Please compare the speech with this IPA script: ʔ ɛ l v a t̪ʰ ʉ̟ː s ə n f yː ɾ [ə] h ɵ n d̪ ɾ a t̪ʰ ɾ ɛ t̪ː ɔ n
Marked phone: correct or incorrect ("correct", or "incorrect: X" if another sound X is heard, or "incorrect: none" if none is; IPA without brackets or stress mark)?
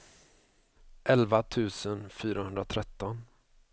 incorrect: a